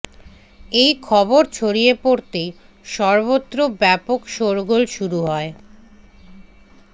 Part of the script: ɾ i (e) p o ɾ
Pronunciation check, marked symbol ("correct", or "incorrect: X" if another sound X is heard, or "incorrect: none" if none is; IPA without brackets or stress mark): correct